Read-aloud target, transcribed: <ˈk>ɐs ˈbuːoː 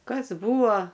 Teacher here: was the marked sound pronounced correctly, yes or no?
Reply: yes